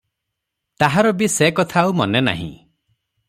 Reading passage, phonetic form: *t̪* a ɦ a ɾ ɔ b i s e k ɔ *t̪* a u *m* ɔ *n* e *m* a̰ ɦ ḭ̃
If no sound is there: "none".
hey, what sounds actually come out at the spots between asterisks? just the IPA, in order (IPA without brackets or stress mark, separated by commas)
t̪, t̪ʰ, m, n, n